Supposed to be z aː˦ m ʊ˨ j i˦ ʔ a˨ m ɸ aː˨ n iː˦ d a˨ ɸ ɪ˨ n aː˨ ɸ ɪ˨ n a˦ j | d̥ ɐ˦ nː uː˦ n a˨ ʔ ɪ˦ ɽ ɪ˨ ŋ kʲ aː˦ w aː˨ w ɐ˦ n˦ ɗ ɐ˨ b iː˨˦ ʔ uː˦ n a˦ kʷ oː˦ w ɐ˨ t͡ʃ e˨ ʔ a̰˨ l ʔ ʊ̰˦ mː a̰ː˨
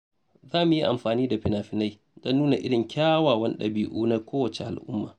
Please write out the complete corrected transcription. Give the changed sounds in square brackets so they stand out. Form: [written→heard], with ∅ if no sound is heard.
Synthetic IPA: z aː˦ m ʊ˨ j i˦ ʔ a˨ m ɸ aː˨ n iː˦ d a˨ ɸ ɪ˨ n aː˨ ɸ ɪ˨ n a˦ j | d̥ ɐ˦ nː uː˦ n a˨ ʔ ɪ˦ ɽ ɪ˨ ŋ kʲ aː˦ w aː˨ w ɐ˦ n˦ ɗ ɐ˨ b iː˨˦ ʔ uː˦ n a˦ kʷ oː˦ w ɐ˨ t͡ʃ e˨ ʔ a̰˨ l ʔ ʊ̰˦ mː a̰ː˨

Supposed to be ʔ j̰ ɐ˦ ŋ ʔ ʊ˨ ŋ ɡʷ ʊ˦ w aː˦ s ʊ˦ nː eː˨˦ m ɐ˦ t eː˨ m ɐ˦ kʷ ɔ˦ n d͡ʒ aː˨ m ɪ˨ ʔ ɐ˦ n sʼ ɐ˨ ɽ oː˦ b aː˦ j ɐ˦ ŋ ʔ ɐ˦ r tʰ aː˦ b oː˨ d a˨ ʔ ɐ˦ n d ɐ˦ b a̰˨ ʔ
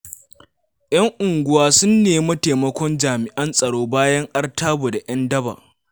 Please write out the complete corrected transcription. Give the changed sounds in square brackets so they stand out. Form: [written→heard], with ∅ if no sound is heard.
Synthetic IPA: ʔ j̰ ɐ˦ ŋ ʔ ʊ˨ ŋ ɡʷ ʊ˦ w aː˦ s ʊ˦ nː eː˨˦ m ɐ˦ t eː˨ m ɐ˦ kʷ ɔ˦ n d͡ʒ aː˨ m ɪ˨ ʔ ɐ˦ n sʼ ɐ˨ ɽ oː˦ b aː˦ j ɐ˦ ŋ ʔ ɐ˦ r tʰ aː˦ b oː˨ d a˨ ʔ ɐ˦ n d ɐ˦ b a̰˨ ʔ

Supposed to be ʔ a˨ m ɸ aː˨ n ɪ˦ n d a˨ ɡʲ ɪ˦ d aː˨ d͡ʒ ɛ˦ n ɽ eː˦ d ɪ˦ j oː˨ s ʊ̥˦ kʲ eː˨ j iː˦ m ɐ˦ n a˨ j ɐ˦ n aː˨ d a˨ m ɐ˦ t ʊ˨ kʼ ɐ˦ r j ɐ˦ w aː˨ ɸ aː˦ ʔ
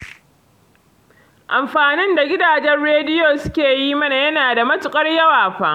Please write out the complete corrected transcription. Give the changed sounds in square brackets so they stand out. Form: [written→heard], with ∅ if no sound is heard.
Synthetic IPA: ʔ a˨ m ɸ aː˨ n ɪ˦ n d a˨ ɡʲ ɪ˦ d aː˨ d͡ʒ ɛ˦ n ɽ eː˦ d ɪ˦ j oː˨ s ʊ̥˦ kʲ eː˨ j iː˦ m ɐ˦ n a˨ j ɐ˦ n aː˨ d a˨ m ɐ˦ t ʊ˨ kʼ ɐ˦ r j ɐ˦ w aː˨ ɸ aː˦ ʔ

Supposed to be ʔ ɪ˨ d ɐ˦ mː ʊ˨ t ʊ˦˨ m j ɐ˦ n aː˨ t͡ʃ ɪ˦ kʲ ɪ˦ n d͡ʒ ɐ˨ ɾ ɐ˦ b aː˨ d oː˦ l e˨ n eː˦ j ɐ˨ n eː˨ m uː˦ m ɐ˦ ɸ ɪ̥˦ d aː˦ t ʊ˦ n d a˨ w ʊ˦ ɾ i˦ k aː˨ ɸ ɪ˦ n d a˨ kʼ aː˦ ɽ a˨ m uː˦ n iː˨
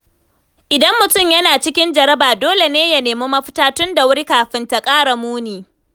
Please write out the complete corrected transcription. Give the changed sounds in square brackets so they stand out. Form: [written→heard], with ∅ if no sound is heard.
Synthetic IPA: ʔ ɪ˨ d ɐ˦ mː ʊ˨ t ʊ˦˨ m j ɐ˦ n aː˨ t͡ʃ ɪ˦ kʲ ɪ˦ n d͡ʒ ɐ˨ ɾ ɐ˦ b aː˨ d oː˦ l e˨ n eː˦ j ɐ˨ n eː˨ m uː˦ m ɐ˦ ɸ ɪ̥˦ [d→t] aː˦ t ʊ˦ n d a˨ w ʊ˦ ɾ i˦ k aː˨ ɸ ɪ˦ n [d→t] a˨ kʼ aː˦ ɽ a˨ m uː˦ n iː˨

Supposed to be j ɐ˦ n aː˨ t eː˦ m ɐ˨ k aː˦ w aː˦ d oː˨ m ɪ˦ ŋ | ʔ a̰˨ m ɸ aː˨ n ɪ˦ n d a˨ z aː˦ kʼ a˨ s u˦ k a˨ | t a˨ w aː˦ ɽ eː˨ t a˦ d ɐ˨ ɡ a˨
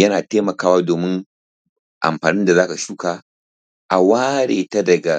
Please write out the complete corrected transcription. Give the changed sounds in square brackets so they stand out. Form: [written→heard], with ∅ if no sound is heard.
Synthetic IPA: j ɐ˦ n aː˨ t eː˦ m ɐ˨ k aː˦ w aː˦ d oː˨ m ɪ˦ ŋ | ʔ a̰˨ m ɸ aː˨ n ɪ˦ n d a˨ z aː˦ [kʼ→k] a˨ [s→ʃ] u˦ k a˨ | [t→ʔ] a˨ w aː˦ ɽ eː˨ t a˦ d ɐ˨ ɡ a˨

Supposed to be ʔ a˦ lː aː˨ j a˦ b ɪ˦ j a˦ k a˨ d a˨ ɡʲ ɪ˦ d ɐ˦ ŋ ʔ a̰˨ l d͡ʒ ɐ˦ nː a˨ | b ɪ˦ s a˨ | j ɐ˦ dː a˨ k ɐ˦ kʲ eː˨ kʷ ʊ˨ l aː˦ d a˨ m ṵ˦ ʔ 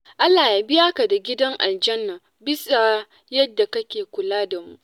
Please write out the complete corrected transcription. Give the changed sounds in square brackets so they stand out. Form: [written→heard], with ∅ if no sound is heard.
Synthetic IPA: ʔ a˦ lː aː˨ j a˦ b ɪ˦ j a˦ k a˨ d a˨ ɡʲ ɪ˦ d ɐ˦ ŋ ʔ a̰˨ l d͡ʒ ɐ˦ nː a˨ | b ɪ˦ s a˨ | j ɐ˦ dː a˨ k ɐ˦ kʲ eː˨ kʷ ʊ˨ l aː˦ d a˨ m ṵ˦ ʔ

